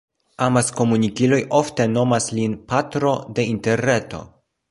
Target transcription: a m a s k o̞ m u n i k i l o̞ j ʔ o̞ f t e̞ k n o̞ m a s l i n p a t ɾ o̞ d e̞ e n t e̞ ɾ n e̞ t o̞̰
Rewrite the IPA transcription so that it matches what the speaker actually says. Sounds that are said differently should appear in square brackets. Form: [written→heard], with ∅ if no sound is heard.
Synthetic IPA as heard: a m a s k o̞ m u n i k i l o̞ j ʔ o̞ f t e̞ [k→∅] n o̞ m a s l i n p a t ɾ o̞ d e̞ [e→i] n t e̞ ɾ n e̞ t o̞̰